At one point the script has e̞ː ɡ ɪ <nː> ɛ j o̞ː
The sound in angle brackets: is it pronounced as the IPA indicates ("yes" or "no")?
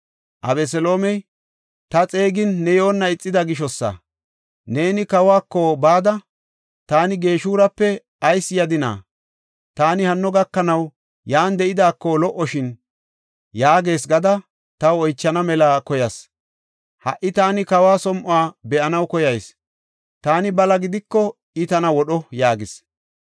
yes